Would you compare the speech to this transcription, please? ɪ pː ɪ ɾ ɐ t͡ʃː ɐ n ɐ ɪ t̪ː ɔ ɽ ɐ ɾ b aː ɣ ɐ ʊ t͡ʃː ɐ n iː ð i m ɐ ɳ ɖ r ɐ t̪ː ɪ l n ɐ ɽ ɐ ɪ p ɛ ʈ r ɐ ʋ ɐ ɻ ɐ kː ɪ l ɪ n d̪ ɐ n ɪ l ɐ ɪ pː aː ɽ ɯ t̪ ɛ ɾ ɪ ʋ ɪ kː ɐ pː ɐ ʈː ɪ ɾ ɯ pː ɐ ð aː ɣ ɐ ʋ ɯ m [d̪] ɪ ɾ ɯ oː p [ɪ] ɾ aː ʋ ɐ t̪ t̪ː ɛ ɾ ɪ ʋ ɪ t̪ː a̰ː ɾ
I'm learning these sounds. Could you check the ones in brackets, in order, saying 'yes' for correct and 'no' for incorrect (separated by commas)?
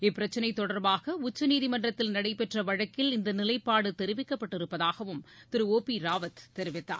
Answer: no, no